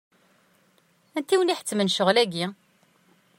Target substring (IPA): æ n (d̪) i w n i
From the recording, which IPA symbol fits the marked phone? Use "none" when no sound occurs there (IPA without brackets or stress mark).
t̪